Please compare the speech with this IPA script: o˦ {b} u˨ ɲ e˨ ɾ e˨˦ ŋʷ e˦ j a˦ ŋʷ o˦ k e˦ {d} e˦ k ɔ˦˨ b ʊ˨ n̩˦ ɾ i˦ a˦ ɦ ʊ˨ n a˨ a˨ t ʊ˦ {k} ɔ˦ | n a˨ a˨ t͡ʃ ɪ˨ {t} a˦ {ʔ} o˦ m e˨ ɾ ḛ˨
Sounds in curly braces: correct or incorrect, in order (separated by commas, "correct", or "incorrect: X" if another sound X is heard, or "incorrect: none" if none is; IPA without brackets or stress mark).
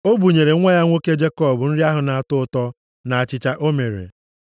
correct, incorrect: d͡ʒ, incorrect: t, incorrect: t͡ʃ, correct